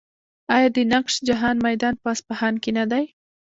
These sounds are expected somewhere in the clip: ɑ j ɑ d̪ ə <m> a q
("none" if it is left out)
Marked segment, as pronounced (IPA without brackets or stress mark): n